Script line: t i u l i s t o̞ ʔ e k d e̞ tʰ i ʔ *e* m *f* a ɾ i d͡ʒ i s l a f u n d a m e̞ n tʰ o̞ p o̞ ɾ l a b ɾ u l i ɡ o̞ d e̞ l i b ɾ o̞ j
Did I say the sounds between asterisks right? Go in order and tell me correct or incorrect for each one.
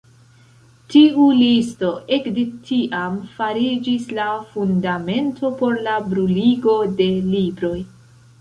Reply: incorrect: a, correct

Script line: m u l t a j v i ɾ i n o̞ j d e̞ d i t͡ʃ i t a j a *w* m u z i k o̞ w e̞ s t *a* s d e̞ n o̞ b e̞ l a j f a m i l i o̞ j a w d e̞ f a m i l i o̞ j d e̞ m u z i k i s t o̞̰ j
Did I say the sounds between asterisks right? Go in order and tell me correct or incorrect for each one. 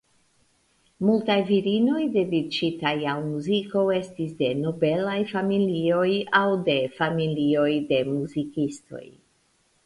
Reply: correct, incorrect: i

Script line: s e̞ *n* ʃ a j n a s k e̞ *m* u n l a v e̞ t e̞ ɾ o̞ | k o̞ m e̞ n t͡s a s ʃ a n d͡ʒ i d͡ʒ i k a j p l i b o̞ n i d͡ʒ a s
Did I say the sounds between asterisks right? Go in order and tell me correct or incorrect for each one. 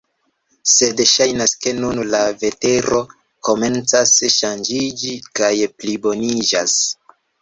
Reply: incorrect: d, incorrect: n

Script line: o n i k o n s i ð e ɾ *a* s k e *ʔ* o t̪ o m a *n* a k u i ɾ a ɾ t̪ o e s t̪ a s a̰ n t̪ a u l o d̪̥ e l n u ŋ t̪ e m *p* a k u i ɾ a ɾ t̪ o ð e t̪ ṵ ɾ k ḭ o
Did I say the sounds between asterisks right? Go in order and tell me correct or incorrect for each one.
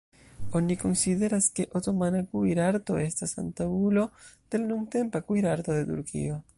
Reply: correct, correct, correct, correct

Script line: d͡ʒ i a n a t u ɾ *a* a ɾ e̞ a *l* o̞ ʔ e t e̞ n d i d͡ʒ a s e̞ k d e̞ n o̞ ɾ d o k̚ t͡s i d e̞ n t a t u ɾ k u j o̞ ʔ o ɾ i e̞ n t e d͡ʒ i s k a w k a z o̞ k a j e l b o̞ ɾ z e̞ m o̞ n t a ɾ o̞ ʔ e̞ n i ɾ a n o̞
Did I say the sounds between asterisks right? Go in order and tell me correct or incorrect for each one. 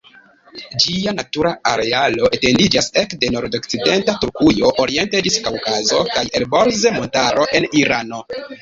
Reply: correct, correct

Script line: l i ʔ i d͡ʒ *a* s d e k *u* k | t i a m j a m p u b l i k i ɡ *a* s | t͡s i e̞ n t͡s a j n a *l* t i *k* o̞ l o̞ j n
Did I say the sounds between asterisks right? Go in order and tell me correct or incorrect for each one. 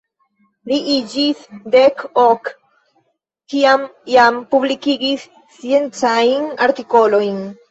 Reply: incorrect: i, incorrect: o, incorrect: i, incorrect: ɾ, correct

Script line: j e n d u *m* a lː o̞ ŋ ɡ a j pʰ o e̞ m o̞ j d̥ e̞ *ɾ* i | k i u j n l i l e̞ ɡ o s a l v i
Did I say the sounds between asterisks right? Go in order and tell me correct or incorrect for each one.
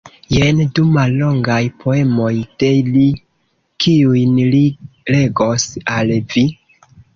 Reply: correct, incorrect: l

